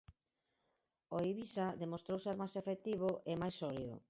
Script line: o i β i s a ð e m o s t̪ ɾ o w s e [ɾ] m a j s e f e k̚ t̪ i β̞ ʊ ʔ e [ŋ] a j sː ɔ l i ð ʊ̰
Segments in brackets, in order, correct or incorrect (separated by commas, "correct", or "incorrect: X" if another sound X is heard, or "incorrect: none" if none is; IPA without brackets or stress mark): correct, incorrect: m